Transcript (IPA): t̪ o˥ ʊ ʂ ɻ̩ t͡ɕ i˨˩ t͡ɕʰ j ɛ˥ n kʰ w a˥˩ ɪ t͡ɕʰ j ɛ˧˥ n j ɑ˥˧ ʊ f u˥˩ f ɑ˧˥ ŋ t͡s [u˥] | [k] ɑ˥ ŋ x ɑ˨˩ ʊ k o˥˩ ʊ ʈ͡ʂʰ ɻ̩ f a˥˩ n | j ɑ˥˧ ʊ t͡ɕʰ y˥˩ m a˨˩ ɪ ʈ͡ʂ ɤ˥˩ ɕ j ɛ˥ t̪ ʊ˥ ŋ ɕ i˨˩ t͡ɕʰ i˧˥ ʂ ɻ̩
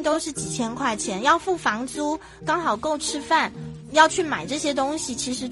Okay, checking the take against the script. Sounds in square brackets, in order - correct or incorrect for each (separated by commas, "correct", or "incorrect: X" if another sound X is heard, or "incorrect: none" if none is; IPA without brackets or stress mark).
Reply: correct, correct